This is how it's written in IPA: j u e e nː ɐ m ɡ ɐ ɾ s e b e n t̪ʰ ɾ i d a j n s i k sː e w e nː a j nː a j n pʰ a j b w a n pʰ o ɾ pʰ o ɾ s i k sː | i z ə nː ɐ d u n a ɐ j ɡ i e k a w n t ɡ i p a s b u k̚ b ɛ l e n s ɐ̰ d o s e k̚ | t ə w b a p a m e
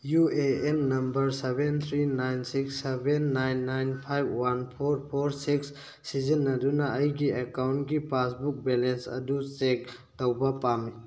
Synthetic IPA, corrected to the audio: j u e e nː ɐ m b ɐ ɾ s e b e n t̪ʰ ɾ i n a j n s i k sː e b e nː a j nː a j n pʰ a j b w a n pʰ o ɾ pʰ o ɾ s i k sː | i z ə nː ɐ d u n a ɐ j ɡ i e k a w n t ɡ i p a s b u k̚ b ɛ l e n s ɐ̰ d u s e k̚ | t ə w b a p a m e